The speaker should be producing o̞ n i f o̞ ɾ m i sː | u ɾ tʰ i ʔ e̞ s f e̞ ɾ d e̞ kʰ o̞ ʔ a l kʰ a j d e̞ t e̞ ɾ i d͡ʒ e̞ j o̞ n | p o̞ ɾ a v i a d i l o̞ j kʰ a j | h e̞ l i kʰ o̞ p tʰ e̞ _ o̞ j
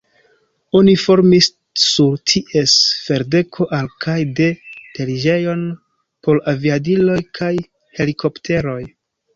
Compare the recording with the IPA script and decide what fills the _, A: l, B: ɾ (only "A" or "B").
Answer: B